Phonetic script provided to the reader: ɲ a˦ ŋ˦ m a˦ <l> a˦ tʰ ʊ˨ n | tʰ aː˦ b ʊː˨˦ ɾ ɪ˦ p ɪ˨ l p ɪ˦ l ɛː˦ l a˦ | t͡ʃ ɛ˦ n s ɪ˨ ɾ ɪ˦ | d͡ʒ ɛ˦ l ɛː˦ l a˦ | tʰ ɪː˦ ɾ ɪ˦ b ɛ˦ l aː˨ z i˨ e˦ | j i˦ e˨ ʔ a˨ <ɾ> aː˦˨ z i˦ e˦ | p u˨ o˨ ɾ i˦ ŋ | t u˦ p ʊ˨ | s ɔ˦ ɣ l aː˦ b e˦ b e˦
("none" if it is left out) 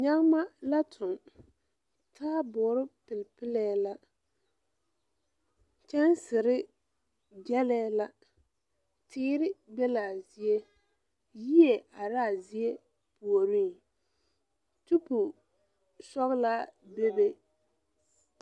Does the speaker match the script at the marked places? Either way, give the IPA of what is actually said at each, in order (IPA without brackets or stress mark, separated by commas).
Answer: l, ɾ